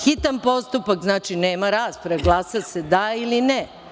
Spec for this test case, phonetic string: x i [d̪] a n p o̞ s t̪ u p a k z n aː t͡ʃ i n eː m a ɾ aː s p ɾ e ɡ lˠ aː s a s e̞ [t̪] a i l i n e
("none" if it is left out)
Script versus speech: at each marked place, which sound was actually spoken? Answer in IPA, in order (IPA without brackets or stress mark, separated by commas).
t̪, d̪